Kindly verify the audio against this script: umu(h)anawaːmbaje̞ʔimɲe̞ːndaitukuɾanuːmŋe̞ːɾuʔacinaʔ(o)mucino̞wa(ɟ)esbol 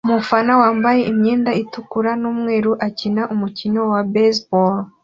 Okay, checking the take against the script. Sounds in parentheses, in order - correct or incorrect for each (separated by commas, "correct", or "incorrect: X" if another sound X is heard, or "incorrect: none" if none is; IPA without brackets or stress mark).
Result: incorrect: f, incorrect: u, incorrect: b